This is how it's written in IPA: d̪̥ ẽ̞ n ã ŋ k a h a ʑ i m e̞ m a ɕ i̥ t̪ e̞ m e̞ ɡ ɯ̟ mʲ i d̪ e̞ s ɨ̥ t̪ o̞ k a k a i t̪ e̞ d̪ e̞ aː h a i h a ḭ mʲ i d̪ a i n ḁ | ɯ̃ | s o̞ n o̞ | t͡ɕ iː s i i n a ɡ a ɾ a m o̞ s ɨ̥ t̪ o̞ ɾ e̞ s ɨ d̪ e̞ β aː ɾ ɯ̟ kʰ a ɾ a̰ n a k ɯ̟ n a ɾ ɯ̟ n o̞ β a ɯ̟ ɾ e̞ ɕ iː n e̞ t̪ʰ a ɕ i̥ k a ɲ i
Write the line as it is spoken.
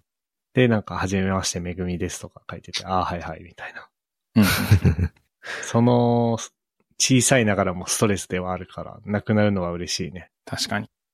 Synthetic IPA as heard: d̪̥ e̞ n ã ŋ k a h a ʑ i m e̞ m a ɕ i̥ t̪ e̞ m e̞ ɡ ɯ̟ mʲ i d̪ e̞ s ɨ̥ t̪ o̞ k a k a i t̪ e̞ t̪ e̞ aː h a i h a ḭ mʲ i t̪ a i n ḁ | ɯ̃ | s o̞ n o̞ | t͡ɕ iː s a i n a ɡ a ɾ a m o̞ s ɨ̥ t̪ o̞ ɾ e̞ s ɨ d̪ e̞ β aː ɾ ɯ̟ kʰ a ɾ a̰ n a k ɯ̟ n a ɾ ɯ̟ n o̞ β a ɯ̟ ɾ e̞ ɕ iː n e̞ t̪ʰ a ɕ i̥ k a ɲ i